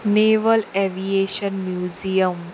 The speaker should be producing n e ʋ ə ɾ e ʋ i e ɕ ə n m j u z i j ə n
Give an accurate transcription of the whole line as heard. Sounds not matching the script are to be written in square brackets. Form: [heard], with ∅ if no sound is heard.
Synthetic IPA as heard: n e ʋ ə [l] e ʋ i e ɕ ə n m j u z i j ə [m]